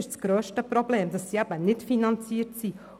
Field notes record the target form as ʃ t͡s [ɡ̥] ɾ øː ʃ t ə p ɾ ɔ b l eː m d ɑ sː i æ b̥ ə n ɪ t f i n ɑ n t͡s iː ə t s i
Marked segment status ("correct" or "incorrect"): correct